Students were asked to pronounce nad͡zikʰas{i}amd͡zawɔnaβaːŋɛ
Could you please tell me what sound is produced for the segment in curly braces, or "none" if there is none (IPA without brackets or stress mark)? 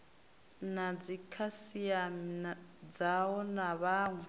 i